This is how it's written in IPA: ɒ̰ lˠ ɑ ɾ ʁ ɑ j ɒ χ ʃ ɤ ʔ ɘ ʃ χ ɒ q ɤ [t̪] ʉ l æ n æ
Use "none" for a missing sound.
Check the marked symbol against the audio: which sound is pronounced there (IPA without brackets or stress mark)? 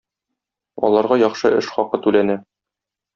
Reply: t̪